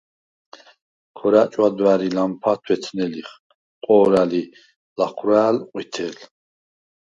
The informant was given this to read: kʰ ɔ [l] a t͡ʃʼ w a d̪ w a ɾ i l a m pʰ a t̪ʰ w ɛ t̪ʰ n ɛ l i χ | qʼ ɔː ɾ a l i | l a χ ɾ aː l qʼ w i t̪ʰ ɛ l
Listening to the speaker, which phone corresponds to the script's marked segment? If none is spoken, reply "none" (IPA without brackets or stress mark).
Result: ɾ